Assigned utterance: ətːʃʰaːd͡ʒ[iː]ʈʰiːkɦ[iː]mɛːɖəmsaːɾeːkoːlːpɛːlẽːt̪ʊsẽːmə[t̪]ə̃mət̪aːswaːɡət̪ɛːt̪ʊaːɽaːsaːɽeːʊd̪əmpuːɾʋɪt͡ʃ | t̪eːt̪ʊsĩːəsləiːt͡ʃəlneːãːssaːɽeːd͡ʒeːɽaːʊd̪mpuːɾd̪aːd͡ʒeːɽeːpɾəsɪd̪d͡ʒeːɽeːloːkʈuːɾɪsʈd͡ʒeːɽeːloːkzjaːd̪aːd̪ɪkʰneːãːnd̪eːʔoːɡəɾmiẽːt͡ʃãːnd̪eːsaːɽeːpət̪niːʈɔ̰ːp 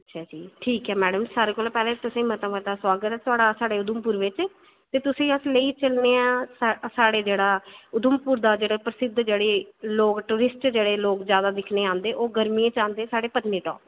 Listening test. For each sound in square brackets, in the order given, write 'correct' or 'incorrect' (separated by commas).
correct, incorrect, correct